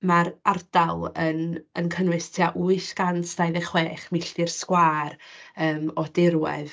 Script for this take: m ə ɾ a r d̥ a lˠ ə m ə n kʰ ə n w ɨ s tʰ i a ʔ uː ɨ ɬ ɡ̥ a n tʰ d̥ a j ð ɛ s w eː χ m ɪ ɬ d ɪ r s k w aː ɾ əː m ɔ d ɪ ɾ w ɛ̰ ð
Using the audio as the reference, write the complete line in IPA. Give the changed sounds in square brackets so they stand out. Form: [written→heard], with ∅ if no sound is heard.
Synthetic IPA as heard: m [ə→a] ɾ a r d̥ a lˠ ə [m→n] ə n kʰ ə n w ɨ s tʰ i a ʔ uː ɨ ɬ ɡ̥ a n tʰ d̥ a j ð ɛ [s→χ] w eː χ m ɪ ɬ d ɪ r s k w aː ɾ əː m ɔ d ɪ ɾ w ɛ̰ ð